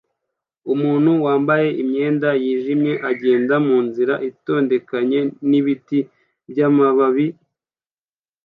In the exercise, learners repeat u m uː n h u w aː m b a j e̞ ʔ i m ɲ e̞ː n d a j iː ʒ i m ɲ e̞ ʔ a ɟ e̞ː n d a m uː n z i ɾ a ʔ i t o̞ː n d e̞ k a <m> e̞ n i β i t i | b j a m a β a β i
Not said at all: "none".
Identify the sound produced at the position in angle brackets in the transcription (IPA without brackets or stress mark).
ɲ